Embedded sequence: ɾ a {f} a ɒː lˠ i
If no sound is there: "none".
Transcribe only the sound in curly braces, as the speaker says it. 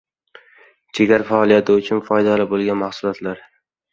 f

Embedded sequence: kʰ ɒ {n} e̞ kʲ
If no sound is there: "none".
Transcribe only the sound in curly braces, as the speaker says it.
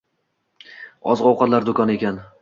n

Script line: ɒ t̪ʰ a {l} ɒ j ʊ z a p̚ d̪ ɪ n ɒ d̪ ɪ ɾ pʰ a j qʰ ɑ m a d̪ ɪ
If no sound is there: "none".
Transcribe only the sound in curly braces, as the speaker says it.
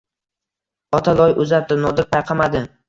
l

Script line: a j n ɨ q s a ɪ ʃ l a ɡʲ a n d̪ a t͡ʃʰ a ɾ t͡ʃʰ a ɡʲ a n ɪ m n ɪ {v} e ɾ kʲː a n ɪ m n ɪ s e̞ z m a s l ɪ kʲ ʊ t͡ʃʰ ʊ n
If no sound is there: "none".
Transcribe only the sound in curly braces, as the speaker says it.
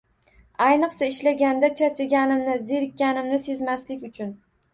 z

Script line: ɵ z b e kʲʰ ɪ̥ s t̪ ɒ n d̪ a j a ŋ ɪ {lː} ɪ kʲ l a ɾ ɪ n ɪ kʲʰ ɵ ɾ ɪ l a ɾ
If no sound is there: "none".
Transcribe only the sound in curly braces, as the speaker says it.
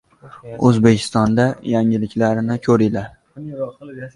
l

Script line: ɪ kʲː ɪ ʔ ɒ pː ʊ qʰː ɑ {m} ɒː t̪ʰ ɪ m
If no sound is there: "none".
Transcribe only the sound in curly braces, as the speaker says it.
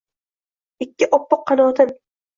n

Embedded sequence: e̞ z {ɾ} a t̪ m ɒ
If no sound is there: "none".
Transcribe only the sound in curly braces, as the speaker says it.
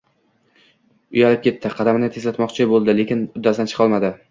l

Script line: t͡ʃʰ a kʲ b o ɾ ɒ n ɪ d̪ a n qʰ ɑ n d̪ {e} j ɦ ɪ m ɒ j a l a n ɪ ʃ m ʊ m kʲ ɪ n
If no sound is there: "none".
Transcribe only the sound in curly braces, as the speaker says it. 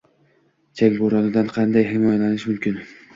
a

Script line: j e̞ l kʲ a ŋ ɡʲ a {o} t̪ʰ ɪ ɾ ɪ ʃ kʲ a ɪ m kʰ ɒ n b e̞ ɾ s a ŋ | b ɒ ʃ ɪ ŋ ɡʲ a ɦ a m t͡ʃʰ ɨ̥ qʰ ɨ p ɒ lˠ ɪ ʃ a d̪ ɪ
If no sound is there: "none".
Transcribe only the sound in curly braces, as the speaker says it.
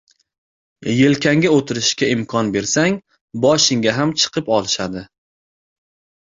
o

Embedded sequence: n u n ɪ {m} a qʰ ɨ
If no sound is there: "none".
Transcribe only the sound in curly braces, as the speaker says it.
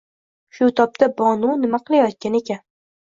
m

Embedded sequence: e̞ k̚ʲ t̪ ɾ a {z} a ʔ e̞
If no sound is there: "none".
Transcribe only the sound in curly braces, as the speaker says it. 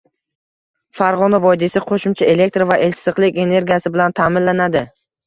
v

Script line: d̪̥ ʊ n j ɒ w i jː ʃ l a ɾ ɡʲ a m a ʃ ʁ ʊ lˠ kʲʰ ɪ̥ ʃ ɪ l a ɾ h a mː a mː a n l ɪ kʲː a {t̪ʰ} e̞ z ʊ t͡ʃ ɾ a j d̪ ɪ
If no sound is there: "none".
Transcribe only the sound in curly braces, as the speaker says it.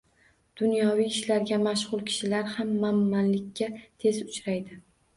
t̪ʰ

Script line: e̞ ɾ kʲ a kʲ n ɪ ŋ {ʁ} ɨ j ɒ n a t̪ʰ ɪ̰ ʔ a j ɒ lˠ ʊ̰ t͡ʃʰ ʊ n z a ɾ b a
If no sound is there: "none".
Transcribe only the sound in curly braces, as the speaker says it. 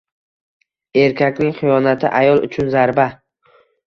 χ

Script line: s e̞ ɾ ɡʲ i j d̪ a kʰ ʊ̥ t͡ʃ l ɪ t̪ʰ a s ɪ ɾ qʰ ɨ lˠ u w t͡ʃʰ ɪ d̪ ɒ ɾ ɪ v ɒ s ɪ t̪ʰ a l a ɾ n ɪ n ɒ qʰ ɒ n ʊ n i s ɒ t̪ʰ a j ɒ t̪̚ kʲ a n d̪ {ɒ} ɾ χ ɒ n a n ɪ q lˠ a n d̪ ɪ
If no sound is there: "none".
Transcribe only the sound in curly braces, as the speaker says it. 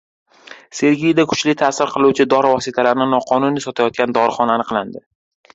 ɒ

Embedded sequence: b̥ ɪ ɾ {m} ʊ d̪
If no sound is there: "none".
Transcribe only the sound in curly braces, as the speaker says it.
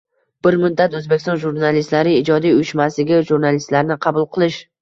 m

